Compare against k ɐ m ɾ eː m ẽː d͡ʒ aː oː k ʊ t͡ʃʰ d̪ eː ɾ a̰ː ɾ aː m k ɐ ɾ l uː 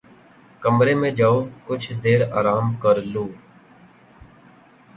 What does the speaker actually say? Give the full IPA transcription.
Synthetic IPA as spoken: k ə m ɾ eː m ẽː d͡ʒ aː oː k ʊ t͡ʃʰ d̪ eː ɾ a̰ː ɾ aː m k ə ɾ l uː